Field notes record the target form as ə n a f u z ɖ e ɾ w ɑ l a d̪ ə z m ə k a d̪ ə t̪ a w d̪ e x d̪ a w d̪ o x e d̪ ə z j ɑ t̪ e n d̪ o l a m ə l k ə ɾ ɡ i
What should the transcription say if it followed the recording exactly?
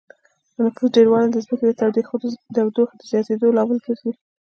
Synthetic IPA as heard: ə n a f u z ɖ e ɾ w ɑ l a d̪ ə z m ə k e d̪ ə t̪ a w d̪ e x d̪ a w d̪ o x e d̪ ə z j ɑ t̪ e d̪ o l ɑ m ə l k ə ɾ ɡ i

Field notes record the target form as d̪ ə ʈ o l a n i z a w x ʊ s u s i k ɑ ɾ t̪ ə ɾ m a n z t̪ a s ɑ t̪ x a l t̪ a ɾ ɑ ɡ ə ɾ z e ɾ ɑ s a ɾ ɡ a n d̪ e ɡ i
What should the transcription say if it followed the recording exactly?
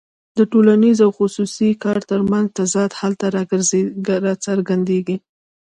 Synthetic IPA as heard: d̪ ə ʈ o l a n i z a w x ʊ s u s i k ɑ ɾ t̪ ə ɾ m a n z t̪ a z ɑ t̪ h a l t̪ a ɾ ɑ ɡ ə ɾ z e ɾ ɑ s a ɾ ɡ a n d̪ e ɡ i

